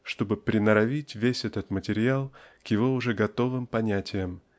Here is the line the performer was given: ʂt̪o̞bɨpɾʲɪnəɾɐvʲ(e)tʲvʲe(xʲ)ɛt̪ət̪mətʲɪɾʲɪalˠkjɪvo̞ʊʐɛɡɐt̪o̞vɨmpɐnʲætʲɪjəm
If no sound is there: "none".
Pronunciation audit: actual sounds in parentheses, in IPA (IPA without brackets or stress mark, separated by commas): i, sʲ